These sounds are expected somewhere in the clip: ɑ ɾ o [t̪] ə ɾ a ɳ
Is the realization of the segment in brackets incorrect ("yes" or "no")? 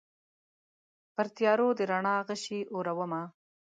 yes